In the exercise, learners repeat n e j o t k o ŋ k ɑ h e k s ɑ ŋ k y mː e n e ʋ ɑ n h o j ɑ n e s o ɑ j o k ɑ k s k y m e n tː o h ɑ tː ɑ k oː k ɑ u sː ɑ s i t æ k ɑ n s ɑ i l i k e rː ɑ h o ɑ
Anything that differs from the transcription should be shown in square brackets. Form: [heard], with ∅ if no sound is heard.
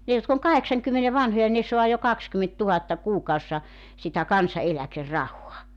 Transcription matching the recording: n e j o t k o ŋ k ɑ h e k s ɑ ŋ k y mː e n e ʋ ɑ n h o j ɑ n e s o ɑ j o k ɑ k s k y m e n tː [u] h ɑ tː ɑ k [uː] k ɑ u sː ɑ s i t æ k ɑ n s ɑ [e] l [æ] k e rː ɑ h o ɑ